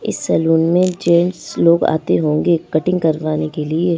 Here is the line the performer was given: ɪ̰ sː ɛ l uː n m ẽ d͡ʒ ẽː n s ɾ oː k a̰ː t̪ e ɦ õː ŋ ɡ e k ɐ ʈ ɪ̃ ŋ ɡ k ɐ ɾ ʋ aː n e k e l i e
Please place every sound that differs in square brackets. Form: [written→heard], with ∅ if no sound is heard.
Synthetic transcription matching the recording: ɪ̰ sː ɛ l uː n m ẽ d͡ʒ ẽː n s [ɾ→l] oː [k→ɡ] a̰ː t̪ e ɦ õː ŋ ɡ e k ɐ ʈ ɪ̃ ŋ ɡ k ɐ ɾ ʋ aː n e k e l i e